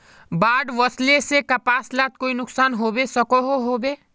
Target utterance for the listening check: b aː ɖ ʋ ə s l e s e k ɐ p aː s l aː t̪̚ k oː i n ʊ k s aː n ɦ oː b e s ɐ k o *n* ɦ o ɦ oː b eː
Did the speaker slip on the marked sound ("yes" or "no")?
yes